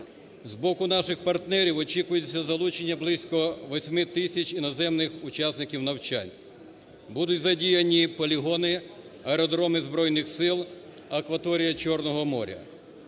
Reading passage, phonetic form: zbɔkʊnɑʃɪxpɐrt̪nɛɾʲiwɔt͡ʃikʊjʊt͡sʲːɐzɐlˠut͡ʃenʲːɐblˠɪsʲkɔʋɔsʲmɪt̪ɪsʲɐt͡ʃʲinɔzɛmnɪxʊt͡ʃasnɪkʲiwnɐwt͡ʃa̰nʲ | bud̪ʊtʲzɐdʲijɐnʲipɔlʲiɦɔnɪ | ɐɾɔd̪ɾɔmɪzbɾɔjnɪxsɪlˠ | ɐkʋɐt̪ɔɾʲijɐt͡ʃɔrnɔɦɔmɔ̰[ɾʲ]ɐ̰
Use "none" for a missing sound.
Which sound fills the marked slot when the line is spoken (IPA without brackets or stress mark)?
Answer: ɾʲ